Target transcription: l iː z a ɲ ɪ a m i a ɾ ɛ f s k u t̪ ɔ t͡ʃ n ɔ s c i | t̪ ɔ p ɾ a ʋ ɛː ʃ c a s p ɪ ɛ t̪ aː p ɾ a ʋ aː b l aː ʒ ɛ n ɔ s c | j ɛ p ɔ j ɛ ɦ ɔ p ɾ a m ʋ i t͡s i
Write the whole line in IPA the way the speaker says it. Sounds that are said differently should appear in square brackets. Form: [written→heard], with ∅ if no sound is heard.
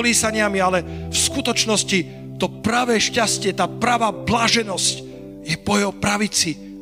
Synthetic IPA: l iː [z→s] a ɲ ɪ a m i a [ɾ→l] ɛ f s k u t̪ ɔ t͡ʃ n ɔ s c i | t̪ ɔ p ɾ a ʋ ɛː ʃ c a s [p→c] ɪ ɛ t̪ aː p ɾ a ʋ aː b l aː ʒ ɛ n ɔ s c | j ɛ p ɔ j ɛ ɦ ɔ p ɾ a [m→∅] ʋ i t͡s i